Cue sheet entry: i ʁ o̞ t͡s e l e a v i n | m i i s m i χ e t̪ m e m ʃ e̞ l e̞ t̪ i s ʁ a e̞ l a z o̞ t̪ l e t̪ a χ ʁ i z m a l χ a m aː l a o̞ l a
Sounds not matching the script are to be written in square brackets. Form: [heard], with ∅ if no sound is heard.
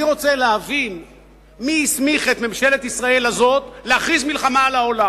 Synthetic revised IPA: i ʁ o̞ t͡s e l e a v i n | m i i s m i χ e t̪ m e m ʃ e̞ l e̞ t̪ i s ʁ a e̞ l a z o̞ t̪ l e [∅] a χ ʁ i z m [i] l χ a m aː l a o̞ l a